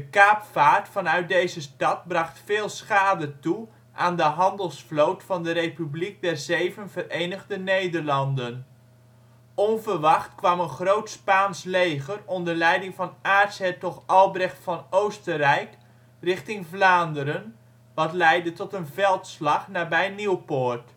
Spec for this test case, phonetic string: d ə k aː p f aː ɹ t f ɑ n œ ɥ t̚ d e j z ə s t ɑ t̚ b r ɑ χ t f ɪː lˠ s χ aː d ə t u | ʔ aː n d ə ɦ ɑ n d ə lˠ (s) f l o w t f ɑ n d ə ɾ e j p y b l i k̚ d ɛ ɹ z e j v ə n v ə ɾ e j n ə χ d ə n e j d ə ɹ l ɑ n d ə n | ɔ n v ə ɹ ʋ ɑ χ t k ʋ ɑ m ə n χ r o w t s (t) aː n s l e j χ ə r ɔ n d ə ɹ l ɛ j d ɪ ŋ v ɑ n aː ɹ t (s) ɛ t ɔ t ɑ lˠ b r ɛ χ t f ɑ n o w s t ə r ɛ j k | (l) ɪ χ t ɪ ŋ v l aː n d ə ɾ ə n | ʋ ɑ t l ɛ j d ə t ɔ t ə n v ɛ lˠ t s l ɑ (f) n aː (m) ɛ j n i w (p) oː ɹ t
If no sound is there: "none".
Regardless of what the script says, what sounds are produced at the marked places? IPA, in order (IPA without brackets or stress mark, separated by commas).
s, p, s, r, χ, b, p